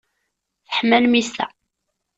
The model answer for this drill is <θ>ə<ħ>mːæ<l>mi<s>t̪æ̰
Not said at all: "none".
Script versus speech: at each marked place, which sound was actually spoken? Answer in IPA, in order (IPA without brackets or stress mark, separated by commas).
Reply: θ, ħ, l, s